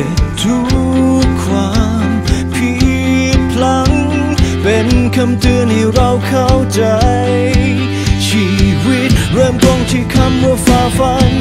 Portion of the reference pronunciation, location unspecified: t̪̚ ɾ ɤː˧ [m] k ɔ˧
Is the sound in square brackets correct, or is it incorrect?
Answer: correct